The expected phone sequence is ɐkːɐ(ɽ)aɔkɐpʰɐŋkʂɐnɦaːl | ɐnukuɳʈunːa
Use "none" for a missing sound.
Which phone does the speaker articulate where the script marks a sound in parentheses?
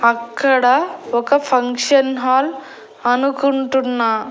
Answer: ɽ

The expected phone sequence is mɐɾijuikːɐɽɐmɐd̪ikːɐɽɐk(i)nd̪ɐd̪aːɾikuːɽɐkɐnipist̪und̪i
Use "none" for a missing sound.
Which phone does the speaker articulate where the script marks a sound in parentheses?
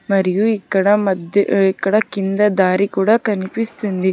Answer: i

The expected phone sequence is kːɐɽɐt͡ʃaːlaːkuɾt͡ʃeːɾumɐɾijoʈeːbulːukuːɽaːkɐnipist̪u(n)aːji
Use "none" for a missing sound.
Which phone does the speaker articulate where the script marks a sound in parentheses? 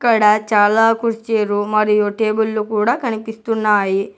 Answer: nː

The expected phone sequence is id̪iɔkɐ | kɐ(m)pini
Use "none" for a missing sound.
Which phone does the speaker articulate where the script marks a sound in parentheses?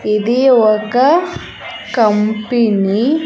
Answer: m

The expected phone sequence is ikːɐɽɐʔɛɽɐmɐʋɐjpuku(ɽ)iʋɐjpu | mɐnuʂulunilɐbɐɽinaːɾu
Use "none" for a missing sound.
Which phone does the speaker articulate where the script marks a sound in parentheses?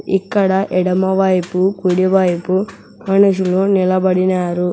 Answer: ɽ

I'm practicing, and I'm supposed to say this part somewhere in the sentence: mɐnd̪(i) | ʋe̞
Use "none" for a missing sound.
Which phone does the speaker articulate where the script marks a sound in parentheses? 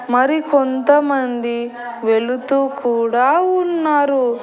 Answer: i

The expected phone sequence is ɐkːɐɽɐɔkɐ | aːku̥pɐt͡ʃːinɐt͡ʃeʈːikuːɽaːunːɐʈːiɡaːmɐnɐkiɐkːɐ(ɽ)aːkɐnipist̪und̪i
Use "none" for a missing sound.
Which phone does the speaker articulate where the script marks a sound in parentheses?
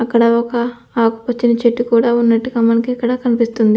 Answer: ɽ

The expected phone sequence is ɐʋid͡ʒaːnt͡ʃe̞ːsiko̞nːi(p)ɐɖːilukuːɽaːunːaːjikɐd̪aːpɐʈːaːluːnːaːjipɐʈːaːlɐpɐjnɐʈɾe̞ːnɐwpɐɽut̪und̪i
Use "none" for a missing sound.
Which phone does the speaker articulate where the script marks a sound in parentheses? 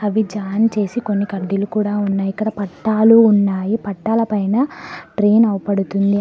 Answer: k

